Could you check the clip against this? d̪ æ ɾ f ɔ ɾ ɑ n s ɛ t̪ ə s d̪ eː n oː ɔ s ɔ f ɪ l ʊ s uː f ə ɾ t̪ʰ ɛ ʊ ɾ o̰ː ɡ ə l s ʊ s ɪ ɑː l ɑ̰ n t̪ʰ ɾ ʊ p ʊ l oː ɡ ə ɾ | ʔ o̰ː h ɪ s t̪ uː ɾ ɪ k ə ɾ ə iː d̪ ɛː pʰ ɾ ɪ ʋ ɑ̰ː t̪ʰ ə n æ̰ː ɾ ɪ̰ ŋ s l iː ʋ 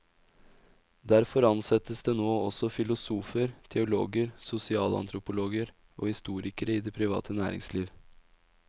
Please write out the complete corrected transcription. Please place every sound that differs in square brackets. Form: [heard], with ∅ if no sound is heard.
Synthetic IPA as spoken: d̪ æ ɾ f ɔ ɾ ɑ n s ɛ t̪ ə s d̪ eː n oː ɔ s ɔ f ɪ l ʊ s uː f ə ɾ t̪ʰ ɛ ʊ [l] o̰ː ɡ ə [ɾ] s ʊ s ɪ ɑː l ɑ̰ n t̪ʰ ɾ ʊ p ʊ l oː ɡ ə ɾ | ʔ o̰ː h ɪ s t̪ uː ɾ ɪ k ə ɾ ə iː d̪ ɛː pʰ ɾ ɪ ʋ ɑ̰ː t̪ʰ ə n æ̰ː ɾ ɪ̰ ŋ s l iː ʋ